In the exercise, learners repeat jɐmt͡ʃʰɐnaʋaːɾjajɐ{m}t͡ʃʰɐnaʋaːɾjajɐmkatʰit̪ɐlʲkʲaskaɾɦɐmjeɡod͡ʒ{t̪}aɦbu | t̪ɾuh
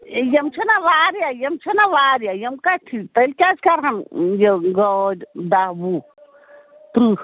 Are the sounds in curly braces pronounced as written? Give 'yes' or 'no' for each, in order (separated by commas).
yes, no